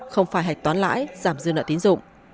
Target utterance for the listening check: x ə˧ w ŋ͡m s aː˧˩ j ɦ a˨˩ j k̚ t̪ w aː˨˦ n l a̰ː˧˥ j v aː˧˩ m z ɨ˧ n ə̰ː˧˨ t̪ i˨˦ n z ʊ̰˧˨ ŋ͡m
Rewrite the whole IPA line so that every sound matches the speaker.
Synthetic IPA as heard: x ə˧ w ŋ͡m f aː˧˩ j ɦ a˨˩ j k̚ t̪ w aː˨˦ n l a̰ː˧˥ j z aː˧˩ m z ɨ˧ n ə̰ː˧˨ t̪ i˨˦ n z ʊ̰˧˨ ŋ͡m